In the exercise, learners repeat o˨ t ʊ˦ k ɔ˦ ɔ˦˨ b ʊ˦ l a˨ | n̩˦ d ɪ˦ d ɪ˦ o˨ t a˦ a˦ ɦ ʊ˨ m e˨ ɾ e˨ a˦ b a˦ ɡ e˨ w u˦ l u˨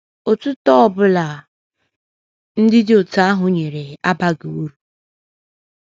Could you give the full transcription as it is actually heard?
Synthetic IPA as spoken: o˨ t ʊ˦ t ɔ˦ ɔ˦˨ b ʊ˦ l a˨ | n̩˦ d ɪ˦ d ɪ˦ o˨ t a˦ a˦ ɦ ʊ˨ ɲ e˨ ɾ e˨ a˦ b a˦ ɡ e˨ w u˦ ɾ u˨